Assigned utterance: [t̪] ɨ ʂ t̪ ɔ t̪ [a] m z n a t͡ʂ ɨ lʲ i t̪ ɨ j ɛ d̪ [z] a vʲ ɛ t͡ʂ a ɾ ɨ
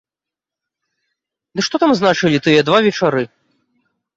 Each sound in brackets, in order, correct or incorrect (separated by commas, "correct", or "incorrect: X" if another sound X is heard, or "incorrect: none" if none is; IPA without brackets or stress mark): incorrect: d̪, correct, incorrect: v